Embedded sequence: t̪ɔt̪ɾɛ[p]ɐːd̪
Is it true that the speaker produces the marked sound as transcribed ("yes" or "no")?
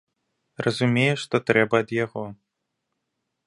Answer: no